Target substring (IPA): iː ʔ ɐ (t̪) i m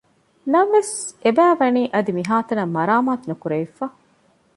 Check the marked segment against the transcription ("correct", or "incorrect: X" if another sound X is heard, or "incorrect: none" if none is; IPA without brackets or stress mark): incorrect: d̪